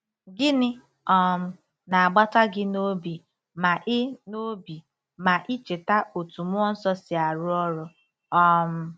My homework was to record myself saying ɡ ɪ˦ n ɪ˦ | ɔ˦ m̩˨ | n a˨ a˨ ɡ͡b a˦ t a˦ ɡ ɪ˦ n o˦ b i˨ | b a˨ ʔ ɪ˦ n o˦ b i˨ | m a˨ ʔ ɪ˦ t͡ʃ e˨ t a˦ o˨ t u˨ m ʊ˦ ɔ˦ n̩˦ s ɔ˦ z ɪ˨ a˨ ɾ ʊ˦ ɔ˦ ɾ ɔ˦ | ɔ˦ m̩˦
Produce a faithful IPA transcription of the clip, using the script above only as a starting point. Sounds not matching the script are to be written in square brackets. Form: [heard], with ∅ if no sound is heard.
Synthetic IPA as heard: ɡ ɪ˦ n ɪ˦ | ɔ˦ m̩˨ | n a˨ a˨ ɡ͡b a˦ t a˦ ɡ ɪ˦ n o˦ b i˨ | [m] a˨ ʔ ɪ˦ n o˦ b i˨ | m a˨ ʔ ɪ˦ t͡ʃ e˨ t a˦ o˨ t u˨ m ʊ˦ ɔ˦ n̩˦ s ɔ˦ [s] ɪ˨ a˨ ɾ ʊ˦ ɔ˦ ɾ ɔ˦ | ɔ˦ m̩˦